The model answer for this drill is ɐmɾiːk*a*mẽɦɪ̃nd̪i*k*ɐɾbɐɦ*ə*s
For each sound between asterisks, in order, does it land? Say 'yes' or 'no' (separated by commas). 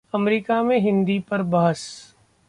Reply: yes, no, yes